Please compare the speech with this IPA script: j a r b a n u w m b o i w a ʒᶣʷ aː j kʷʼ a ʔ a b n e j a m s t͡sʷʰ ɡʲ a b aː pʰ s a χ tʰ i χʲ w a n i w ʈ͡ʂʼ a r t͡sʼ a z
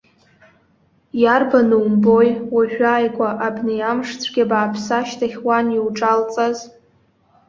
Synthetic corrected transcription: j a r b a n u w m b o j w a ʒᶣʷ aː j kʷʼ a ʔ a b n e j a m ʂ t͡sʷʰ ɡʲ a b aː pʰ s a ʃ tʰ a χʲ w a n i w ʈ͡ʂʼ a l t͡sʼ a z